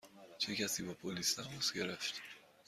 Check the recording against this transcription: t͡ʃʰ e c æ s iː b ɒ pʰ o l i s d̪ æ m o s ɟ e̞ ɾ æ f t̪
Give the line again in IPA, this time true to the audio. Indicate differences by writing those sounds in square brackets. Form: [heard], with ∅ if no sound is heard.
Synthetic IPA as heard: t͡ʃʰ e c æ s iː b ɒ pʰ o l i s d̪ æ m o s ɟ e̞ ɾ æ f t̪